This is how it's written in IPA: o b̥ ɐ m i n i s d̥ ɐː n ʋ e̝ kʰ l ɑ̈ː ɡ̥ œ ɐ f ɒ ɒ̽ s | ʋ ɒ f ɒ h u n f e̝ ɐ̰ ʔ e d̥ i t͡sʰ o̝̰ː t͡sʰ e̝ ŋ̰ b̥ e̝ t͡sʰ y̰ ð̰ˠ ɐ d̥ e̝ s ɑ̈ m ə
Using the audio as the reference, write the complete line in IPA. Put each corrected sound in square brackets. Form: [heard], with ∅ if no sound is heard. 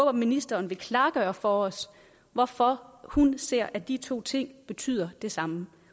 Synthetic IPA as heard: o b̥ ɐ m i n i s d̥ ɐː n ʋ e̝ kʰ l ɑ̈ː ɡ̥ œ ɐ f ɒ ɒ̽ s | ʋ ɒ f ɒ h u n [s] e̝ ɐ̰ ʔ [æ] d̥ i t͡sʰ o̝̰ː t͡sʰ e̝ ŋ̰ b̥ e̝ t͡sʰ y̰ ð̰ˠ ɐ d̥ e̝ s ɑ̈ m ə